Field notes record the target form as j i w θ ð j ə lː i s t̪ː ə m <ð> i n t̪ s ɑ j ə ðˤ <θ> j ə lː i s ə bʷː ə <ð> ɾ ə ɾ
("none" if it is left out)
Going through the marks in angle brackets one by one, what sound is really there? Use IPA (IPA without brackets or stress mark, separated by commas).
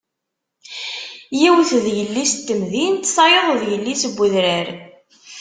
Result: ð, ð, ð